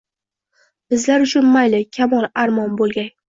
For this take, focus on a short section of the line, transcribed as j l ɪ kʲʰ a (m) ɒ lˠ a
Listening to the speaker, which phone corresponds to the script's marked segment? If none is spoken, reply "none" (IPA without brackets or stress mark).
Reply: m